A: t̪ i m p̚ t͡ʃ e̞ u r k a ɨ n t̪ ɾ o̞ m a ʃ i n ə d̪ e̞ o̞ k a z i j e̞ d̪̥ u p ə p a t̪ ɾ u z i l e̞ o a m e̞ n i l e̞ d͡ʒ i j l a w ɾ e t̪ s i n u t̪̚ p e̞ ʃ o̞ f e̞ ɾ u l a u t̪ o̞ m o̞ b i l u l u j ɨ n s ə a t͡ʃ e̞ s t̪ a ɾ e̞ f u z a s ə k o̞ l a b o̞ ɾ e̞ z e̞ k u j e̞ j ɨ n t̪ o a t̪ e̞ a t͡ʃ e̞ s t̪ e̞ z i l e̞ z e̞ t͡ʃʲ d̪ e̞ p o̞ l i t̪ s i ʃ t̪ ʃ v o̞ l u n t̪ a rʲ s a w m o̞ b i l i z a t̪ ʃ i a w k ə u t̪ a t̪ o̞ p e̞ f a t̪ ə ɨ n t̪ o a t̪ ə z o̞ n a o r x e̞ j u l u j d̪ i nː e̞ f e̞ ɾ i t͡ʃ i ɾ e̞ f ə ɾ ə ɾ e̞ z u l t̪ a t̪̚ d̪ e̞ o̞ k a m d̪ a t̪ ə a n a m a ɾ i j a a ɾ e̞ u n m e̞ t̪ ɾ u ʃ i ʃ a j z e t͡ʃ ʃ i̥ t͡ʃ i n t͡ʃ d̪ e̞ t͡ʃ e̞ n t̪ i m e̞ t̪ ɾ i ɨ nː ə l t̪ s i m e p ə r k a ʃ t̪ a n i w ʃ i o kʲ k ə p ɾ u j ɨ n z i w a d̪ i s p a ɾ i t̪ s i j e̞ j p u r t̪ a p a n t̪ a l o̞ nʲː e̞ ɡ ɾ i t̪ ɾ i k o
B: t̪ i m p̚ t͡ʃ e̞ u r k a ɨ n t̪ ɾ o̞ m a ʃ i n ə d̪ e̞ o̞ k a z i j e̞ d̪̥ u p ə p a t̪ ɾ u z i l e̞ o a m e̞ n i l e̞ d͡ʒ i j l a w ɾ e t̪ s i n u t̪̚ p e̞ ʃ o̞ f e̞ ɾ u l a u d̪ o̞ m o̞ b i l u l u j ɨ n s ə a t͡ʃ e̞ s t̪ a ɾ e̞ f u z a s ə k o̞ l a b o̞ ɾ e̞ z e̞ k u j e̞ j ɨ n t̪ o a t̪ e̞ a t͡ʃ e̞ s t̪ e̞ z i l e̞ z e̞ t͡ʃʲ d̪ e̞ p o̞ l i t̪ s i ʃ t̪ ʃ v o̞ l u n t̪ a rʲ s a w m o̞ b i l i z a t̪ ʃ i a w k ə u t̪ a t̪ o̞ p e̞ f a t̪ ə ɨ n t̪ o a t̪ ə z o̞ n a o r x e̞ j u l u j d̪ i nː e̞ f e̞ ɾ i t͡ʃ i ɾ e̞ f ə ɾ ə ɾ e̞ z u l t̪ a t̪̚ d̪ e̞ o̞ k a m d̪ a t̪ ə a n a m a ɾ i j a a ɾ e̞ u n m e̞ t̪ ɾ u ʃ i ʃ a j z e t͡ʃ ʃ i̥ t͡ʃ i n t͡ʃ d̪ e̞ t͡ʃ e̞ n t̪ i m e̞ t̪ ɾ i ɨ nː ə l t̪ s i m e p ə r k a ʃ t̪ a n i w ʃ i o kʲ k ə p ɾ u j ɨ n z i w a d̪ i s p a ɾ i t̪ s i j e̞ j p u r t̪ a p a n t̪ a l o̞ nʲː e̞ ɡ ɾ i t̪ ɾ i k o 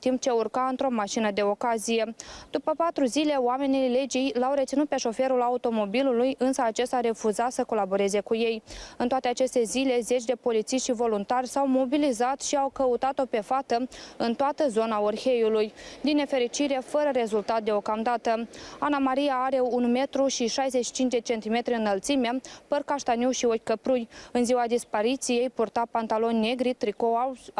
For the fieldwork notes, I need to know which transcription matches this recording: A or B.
A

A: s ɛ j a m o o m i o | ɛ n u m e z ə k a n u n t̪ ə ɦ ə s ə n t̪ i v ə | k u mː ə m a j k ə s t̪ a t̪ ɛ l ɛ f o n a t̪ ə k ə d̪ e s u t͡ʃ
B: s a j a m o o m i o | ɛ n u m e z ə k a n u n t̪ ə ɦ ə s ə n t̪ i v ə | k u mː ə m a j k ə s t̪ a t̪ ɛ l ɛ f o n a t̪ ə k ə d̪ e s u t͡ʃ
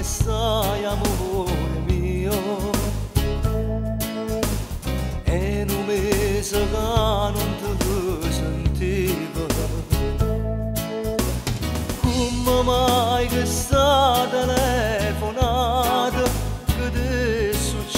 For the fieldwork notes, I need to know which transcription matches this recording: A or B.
B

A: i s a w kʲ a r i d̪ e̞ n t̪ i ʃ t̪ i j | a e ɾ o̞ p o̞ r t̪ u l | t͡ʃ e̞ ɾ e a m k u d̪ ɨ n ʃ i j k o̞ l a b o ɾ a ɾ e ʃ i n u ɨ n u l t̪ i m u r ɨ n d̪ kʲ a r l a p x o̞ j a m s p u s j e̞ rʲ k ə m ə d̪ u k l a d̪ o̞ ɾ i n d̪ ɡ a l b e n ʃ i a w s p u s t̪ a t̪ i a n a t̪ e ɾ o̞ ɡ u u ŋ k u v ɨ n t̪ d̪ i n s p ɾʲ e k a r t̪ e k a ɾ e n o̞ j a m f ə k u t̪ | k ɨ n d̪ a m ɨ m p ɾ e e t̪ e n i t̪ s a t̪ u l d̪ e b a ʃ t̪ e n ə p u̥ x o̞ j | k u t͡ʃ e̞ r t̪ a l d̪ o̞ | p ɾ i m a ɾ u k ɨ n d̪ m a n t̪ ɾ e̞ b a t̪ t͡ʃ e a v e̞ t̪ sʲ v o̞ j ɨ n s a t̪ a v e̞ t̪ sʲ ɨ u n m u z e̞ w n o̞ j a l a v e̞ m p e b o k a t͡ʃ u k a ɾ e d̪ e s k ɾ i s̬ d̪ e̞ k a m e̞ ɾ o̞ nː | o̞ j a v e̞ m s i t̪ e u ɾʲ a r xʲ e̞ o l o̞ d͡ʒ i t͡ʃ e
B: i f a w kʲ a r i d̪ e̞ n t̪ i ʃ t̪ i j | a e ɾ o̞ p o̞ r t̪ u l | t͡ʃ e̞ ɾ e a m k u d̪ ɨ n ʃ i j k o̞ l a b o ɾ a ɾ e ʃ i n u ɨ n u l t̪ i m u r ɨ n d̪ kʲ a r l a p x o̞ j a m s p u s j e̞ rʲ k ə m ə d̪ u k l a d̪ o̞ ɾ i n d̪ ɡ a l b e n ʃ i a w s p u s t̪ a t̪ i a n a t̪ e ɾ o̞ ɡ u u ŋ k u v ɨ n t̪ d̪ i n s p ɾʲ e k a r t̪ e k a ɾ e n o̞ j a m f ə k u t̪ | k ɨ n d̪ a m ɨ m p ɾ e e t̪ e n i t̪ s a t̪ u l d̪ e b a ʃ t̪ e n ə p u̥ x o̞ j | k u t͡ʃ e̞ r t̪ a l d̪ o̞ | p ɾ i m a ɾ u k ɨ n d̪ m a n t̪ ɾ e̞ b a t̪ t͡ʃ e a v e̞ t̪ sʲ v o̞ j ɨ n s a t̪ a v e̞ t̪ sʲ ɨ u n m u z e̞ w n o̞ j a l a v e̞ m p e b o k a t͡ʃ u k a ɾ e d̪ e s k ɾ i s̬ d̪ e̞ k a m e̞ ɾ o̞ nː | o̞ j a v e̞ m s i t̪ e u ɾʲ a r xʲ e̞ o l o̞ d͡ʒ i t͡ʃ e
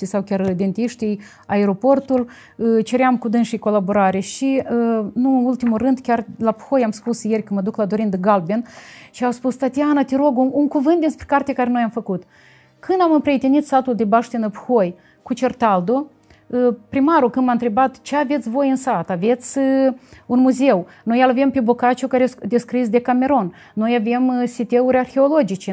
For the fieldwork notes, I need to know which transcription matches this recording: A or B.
A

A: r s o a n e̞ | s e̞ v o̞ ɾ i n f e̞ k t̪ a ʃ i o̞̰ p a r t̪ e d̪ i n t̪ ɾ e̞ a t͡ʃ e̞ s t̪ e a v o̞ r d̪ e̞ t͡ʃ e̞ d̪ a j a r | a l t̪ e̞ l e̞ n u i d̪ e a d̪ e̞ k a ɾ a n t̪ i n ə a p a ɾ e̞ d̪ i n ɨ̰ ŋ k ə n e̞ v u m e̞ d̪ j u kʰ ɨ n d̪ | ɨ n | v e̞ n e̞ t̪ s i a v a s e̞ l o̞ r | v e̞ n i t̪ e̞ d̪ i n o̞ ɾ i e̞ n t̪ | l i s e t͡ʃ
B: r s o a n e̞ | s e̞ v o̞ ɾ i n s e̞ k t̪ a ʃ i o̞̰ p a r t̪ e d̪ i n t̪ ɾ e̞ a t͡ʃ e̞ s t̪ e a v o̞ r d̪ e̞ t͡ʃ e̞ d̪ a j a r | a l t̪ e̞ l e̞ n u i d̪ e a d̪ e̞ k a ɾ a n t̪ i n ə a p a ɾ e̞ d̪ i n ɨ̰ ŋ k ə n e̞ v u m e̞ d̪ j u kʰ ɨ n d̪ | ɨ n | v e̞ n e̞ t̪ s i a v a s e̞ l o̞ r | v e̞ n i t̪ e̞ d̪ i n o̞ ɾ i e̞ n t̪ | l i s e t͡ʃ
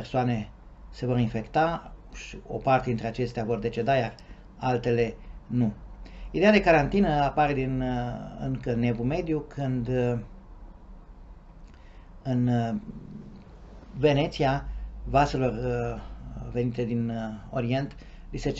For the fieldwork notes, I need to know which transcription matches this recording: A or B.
A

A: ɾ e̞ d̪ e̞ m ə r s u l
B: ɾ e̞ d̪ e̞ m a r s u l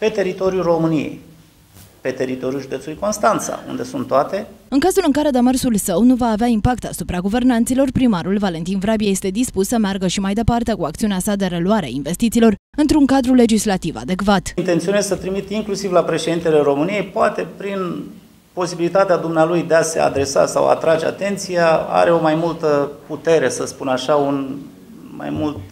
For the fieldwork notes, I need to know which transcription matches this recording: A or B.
A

